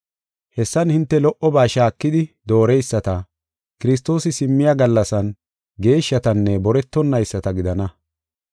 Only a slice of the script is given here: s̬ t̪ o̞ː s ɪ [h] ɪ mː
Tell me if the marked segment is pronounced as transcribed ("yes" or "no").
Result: no